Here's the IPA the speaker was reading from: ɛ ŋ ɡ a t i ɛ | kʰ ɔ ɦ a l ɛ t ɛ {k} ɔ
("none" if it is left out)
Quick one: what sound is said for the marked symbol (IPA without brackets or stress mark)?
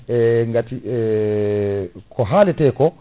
k